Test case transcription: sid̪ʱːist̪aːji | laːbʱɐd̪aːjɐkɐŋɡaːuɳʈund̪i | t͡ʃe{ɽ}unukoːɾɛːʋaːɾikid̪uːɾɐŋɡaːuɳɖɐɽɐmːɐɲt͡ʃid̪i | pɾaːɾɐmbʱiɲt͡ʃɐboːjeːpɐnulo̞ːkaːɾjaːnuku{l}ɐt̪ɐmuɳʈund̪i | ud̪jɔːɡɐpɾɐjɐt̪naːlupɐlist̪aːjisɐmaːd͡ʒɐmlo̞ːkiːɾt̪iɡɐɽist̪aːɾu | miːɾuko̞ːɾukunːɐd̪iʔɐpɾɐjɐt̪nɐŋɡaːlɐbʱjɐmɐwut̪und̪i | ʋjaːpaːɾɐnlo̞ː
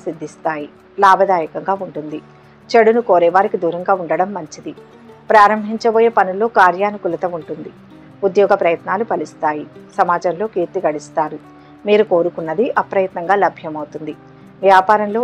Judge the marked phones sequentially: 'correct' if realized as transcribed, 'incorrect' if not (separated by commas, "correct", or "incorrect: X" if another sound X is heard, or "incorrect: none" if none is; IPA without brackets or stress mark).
correct, correct